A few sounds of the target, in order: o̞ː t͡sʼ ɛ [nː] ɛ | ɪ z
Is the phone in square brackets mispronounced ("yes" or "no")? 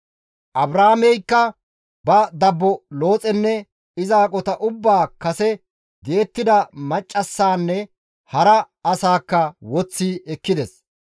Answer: no